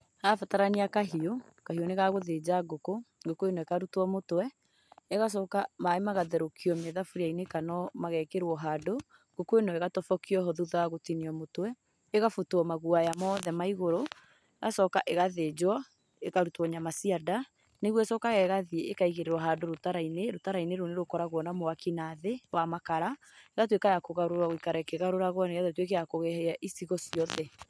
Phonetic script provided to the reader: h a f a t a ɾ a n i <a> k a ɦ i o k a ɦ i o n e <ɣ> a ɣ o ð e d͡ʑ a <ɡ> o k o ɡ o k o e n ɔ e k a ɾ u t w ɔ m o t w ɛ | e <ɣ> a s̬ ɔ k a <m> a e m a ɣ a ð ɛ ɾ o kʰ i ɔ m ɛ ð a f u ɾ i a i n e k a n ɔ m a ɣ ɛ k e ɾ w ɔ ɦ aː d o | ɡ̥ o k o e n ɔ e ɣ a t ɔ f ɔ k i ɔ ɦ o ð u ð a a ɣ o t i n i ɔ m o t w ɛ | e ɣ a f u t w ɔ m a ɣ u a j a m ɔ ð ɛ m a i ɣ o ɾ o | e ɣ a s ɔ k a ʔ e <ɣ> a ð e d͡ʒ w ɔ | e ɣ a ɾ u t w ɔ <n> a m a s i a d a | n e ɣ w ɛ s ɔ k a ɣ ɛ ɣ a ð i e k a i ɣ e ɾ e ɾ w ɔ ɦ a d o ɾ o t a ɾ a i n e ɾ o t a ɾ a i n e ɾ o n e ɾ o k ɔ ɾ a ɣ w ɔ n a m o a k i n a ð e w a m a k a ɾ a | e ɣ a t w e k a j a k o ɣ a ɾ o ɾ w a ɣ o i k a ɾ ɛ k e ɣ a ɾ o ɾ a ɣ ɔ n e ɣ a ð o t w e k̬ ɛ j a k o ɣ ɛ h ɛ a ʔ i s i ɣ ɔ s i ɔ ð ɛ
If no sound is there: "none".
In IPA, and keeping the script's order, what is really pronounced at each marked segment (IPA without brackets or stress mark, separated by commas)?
a, ɣ, ɡ, ɣ, m, ɣ, ɲ